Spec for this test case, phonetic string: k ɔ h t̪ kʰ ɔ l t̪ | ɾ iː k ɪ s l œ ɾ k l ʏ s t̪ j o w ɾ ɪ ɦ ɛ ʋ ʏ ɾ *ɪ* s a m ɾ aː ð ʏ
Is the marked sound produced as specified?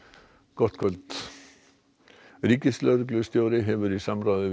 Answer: no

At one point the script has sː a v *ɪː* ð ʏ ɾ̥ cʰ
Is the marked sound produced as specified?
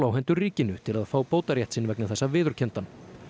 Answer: yes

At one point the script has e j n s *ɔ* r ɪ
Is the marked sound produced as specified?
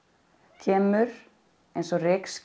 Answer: yes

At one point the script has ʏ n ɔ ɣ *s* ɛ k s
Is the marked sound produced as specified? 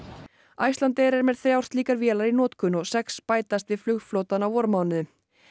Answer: yes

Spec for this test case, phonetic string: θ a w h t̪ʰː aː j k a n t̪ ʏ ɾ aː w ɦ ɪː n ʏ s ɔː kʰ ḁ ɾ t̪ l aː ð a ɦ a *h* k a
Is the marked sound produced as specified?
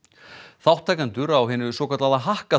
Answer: yes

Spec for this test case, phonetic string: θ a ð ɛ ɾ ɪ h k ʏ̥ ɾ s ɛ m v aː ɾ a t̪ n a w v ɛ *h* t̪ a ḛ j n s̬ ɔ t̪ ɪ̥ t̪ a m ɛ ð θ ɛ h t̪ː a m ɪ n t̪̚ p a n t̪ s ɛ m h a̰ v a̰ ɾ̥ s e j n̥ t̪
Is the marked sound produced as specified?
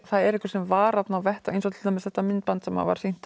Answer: yes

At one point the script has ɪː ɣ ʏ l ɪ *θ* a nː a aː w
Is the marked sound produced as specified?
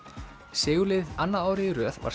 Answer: no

